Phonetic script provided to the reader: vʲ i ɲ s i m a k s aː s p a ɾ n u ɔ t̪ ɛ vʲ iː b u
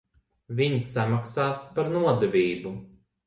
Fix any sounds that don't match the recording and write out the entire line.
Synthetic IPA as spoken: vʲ i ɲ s a m a k s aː s p a ɾ n u ɔ d̪ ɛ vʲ iː b u